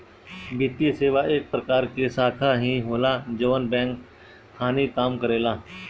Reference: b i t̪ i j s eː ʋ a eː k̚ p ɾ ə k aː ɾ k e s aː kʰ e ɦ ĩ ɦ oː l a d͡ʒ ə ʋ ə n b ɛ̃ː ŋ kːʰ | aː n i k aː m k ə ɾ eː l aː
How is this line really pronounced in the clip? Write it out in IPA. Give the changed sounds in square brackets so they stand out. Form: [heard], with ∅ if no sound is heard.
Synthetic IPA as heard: b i t̪ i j s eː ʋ a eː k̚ p ɾ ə k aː ɾ k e s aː kʰ [a] ɦ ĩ ɦ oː l a d͡ʒ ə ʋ ə n b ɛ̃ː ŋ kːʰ | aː n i k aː m k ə ɾ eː l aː